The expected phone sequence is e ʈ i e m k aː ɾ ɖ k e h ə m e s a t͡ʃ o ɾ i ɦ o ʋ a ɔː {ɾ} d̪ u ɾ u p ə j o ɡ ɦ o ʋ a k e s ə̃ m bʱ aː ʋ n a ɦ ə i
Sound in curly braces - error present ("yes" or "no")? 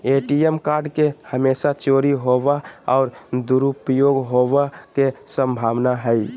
no